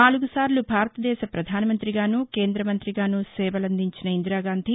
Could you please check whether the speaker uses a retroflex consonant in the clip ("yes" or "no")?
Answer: no